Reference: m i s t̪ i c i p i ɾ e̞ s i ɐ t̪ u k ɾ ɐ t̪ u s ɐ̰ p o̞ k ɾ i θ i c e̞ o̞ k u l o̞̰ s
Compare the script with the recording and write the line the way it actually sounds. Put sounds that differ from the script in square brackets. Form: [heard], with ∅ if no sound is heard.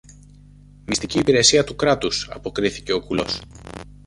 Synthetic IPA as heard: m i s t̪ i c [iː] p i ɾ e̞ s i ɐ t̪ u k ɾ ɐ t̪ u s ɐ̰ p o̞ k ɾ i θ i c e̞ o̞ k u l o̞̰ s